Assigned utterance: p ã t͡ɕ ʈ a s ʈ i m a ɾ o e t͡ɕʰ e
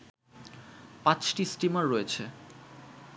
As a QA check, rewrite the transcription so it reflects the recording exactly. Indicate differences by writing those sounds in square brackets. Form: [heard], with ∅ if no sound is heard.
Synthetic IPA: p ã t͡ɕ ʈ [i] s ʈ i m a [ɾː] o e t͡ɕʰ e